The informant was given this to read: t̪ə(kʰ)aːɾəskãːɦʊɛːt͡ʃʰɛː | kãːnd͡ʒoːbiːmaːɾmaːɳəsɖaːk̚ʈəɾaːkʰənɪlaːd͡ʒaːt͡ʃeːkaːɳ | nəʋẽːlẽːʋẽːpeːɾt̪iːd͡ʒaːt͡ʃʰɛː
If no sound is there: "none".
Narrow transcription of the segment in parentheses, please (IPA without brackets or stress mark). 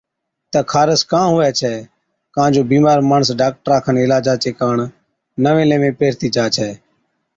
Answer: kʰ